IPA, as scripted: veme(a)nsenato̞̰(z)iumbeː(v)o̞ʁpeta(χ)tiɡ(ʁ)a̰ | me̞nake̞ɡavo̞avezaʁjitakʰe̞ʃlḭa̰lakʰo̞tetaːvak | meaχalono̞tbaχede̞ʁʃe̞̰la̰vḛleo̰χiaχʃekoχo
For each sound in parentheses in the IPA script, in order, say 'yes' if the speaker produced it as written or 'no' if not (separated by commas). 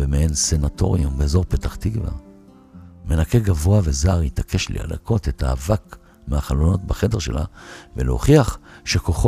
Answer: no, no, no, yes, no